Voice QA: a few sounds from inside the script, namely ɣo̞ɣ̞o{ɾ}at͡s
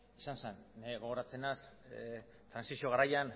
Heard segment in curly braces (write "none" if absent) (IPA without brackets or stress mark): ɾ